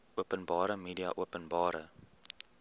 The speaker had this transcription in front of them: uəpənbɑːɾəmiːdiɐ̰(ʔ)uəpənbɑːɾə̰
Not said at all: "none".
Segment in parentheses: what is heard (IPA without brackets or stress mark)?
ʔ